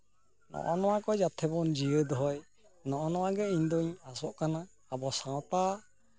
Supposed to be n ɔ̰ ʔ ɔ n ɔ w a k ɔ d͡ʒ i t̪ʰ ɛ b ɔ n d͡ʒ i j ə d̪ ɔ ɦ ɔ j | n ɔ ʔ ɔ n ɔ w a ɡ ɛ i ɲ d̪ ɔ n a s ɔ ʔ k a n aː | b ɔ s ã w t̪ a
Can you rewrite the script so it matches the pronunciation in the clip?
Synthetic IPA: n ɔ̰ ʔ ɔ n ɔ w a k ɔ d͡ʒ a t̪ʰ ɛ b ɔ n d͡ʒ i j ə d̪ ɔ ɦ ɔ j | n ɔ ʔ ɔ n ɔ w a ɡ ɛ i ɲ d̪ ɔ ɲ a s ɔ ʔ k a n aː | b ɔ s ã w t̪ a